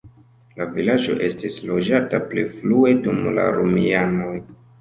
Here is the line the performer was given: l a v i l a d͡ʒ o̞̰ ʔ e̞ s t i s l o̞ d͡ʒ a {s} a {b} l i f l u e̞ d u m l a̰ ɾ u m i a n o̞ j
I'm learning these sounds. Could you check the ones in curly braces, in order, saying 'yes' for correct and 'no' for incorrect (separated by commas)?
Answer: no, no